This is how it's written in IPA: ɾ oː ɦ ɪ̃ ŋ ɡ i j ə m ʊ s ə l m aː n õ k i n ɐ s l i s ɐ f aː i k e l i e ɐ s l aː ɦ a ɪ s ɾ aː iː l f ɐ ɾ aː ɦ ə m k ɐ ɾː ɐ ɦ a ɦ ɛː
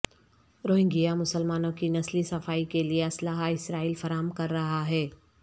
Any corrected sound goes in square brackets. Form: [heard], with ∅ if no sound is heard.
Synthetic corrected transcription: ɾ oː ɦ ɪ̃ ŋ ɡ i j [a] m ʊ s ə l m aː n õ k i n ɐ s l i s ɐ f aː i k e l i e ɐ s l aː ɦ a ɪ s ɾ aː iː l f ɐ ɾ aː ɦ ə m k ɐ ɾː ɐ ɦ a ɦ ɛː